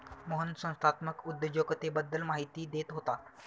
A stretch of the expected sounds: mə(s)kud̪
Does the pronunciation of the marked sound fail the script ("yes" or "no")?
yes